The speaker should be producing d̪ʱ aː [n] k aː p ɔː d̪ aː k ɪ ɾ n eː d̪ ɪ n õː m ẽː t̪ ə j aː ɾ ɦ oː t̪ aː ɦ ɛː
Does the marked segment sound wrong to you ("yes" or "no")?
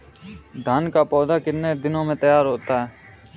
no